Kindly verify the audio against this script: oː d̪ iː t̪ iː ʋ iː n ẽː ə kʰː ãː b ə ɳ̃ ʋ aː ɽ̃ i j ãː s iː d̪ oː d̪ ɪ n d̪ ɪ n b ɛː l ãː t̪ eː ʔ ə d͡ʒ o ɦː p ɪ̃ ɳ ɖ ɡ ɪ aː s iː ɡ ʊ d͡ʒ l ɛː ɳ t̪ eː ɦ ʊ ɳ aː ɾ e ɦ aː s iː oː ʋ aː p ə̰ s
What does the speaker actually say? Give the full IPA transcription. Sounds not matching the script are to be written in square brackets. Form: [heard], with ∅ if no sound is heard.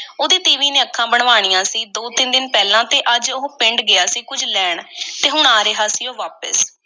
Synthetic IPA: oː d̪ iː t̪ iː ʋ iː n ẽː ə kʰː ãː b ə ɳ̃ ʋ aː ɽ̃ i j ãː s iː d̪ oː [t̪] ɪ n d̪ ɪ n [p] ɛː l ãː t̪ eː ʔ ə d͡ʒ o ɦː p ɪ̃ ɳ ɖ ɡ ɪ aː s iː [k] ʊ d͡ʒ l ɛː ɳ t̪ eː ɦ ʊ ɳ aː ɾ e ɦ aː s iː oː ʋ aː p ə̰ s